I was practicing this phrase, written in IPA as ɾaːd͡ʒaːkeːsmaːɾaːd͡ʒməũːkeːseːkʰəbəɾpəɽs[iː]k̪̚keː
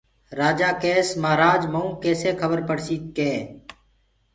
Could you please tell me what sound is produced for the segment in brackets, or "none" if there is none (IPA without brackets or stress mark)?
iː